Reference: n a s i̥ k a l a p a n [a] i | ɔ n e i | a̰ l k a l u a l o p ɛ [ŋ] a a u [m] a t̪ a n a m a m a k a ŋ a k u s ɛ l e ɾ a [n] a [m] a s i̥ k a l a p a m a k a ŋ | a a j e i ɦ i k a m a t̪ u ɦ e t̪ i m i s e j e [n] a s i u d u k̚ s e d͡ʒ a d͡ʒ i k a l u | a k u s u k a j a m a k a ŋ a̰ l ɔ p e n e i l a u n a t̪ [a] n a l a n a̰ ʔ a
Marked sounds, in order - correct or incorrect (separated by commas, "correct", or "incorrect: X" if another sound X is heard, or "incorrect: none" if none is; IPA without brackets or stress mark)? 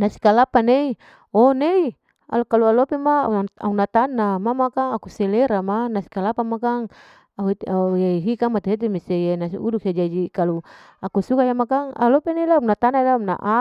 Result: incorrect: e, incorrect: m, incorrect: n, incorrect: m, incorrect: n, correct, correct